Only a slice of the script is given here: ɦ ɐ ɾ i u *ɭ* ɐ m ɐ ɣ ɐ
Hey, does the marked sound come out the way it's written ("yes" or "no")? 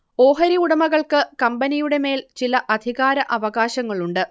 no